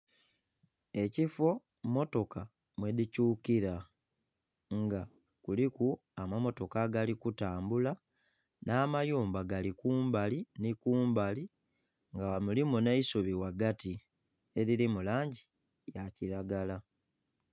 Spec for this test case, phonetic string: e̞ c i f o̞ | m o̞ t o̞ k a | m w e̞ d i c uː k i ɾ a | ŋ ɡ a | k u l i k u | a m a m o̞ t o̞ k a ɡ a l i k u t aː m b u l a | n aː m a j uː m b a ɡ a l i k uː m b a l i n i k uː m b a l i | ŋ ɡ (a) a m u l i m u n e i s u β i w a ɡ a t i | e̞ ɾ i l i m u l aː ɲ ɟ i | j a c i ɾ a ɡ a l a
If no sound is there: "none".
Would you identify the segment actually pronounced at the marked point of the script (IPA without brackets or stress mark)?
a